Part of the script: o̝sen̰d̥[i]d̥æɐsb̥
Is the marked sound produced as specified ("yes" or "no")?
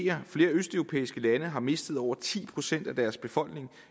no